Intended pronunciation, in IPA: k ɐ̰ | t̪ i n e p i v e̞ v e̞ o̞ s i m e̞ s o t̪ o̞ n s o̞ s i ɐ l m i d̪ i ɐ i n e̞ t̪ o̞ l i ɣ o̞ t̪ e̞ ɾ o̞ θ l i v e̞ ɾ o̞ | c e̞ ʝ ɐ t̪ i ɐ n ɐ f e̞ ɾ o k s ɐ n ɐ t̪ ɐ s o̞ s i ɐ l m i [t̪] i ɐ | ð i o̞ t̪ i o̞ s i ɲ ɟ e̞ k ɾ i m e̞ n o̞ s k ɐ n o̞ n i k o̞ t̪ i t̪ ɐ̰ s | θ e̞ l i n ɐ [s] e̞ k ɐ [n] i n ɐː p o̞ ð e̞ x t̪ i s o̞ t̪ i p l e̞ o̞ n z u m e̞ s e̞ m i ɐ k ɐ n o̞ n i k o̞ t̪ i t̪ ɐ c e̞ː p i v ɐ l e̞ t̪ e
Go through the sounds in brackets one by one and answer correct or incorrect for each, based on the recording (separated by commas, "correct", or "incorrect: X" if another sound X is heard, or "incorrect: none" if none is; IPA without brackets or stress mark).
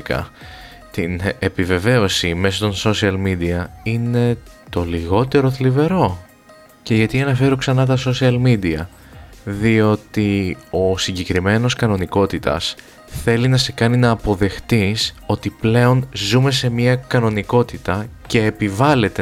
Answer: incorrect: d̪, correct, correct